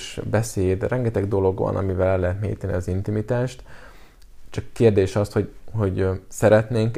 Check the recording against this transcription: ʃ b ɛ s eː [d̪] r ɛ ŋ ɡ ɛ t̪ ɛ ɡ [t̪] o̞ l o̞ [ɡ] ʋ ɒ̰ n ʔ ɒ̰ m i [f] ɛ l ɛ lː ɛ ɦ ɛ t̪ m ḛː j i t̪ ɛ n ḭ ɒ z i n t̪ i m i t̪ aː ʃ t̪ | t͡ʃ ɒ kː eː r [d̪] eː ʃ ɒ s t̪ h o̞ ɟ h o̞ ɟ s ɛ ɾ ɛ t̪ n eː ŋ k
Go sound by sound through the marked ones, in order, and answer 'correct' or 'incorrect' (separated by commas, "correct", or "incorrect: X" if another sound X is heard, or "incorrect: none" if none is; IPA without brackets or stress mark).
correct, incorrect: d̪, correct, incorrect: v, correct